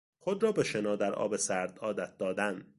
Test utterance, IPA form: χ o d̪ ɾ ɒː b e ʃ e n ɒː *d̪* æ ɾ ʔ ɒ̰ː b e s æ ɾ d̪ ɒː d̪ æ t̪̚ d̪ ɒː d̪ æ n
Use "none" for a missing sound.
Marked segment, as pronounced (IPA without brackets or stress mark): d̪